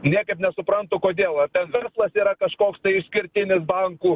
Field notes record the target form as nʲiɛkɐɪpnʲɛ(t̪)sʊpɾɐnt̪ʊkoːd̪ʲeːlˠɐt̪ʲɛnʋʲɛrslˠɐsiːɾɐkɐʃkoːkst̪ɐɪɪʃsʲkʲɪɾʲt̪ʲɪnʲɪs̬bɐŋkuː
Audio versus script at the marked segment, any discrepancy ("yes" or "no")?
yes